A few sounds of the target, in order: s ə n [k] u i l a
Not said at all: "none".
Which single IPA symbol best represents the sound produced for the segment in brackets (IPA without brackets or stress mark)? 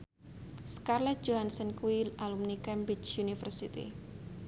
k